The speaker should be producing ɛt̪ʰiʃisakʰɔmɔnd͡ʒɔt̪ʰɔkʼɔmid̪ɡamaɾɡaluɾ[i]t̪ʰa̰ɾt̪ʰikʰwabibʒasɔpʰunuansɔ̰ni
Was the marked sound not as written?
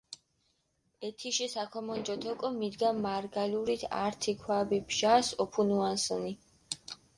no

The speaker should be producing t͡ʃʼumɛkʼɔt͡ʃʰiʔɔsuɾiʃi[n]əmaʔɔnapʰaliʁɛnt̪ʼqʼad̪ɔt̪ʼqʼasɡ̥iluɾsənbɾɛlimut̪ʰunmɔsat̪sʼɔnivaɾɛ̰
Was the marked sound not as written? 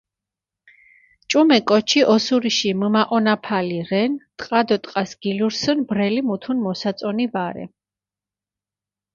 yes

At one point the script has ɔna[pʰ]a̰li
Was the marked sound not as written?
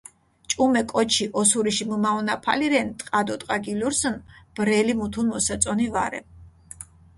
no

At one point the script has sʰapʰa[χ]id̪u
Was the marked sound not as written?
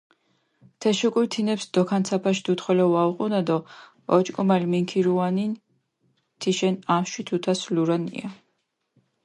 yes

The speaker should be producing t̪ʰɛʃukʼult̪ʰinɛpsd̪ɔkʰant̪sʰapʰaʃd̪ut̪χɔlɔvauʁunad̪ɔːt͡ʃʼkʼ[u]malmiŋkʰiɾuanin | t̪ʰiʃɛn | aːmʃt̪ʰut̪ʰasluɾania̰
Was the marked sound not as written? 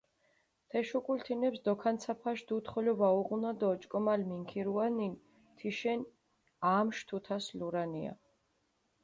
yes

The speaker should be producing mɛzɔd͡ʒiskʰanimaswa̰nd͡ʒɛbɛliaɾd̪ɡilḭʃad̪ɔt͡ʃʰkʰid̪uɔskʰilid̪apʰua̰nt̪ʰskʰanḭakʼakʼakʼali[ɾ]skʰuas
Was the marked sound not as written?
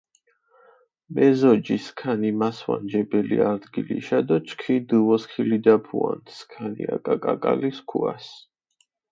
yes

